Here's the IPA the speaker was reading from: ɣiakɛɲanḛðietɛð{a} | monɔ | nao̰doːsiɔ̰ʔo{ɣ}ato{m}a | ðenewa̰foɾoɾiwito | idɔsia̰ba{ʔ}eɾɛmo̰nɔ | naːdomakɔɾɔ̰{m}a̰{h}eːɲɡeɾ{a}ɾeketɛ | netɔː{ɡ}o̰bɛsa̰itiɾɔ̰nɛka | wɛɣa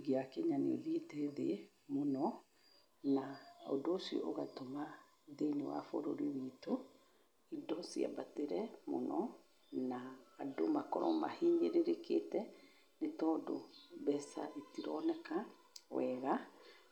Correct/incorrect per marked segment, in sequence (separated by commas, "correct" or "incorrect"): incorrect, correct, correct, incorrect, correct, correct, incorrect, incorrect